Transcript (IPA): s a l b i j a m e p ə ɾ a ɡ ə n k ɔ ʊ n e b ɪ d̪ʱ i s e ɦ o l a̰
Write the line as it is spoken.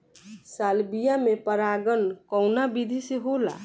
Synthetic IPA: s a l b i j a m e p ə ɾ a ɡ ə n k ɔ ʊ n a b i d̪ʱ i s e ɦ o l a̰

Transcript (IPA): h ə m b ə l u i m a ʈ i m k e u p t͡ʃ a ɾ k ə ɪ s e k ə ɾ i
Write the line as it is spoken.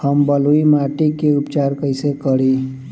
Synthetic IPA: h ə m b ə l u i m a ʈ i k e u p t͡ʃ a ɾ k ə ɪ s e k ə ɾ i

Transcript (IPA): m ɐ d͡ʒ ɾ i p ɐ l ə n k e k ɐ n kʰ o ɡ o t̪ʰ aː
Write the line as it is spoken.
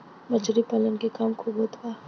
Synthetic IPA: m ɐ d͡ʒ ɾ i p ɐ l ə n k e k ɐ m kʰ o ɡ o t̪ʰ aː

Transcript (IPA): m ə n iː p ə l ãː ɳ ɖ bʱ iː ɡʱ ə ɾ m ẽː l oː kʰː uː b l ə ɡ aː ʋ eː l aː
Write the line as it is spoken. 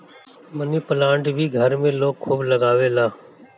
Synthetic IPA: m ə n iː p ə l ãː ɳ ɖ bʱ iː ɡʱ ə ɾ m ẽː l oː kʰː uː b l ə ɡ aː ʋ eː l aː

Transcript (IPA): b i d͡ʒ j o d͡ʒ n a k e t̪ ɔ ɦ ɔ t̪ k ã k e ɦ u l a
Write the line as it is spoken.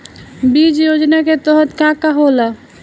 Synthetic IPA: b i d͡ʒ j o d͡ʒ n a k e t̪ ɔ ɦ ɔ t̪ k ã k a ɦ o l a

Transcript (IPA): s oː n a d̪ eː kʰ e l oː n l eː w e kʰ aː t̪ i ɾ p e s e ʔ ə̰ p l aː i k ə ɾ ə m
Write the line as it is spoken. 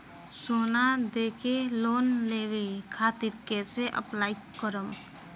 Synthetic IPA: s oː n a d̪ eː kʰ e l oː n l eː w e kʰ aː t̪ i ɾ k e s e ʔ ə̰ p l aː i k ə ɾ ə m

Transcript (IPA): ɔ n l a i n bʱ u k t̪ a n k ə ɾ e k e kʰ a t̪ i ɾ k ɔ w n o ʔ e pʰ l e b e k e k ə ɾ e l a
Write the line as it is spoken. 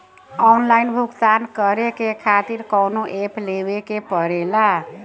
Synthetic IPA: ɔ n l a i n bʱ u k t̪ a n k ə ɾ e k e kʰ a t̪ i ɾ k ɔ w n o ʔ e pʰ l e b e k e p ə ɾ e l a

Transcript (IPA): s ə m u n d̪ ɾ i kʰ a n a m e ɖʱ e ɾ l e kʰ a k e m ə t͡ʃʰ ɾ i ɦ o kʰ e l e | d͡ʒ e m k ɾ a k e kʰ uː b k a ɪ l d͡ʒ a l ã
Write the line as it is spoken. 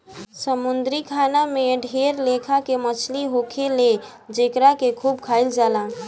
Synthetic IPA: s ə m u n d̪ ɾ i kʰ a n a m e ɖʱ e ɾ l e kʰ a k e m ə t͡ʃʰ l i ɦ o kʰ e l e | d͡ʒ e k ɾ a k e kʰ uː b kʰ a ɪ l d͡ʒ a l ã

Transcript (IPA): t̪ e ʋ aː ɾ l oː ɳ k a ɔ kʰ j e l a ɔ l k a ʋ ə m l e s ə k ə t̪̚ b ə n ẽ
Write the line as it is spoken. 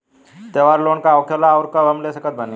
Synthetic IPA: t̪ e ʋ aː ɾ l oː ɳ k a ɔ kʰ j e l a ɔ ɾ k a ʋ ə m l e s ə k ə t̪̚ b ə n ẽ

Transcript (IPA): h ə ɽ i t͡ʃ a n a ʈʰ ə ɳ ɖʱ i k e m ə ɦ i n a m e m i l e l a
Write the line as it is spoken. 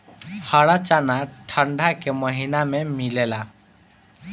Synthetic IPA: h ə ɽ a t͡ʃ a n a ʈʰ ə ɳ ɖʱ a k e m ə ɦ i n a m e m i l e l a

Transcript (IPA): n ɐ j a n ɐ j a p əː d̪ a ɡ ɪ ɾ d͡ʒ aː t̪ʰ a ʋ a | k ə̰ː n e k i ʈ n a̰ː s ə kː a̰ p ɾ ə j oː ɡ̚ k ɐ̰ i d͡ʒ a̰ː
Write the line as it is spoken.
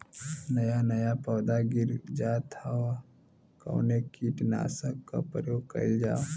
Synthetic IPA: n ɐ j a n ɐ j a p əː d̪ a ɡ ɪ ɾ d͡ʒ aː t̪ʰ a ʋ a | k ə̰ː n e k i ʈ n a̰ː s ə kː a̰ p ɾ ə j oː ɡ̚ k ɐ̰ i d͡ʒ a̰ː

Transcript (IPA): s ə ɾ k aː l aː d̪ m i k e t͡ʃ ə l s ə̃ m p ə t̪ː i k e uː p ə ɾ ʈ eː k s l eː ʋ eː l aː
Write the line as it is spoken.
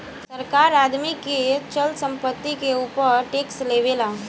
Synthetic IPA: s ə ɾ k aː ɾ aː d̪ m i k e t͡ʃ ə l s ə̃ m p ə t̪ː i k e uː p ə ɾ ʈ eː k s l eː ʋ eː l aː

